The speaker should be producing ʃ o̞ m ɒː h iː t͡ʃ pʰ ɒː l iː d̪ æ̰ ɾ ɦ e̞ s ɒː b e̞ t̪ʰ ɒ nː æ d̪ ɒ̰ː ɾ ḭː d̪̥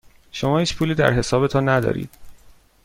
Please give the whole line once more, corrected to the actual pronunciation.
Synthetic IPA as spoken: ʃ o̞ m ɒː h iː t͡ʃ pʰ uː l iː d̪ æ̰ ɾ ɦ e̞ s ɒː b e̞ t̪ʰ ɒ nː æ d̪ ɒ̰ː ɾ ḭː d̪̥